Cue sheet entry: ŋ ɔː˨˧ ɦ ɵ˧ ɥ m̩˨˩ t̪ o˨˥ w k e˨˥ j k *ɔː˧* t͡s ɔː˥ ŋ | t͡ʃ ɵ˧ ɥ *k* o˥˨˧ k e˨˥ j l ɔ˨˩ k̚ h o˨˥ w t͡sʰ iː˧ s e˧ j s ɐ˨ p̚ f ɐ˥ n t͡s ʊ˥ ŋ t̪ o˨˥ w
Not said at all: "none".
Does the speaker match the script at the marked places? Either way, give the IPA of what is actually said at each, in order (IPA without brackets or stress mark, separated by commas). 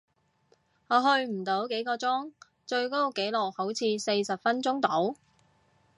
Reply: ɔː˧, k